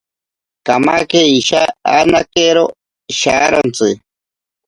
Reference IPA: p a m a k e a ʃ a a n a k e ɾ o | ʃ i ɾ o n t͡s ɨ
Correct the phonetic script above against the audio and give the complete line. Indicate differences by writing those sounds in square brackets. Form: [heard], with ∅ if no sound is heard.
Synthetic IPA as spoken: [k] a m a k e [i] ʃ a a n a k e ɾ o | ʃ [a] ɾ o n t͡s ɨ